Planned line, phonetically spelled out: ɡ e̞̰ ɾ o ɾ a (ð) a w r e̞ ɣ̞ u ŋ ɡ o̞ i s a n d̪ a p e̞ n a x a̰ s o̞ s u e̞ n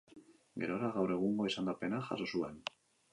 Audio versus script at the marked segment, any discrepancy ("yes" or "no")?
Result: yes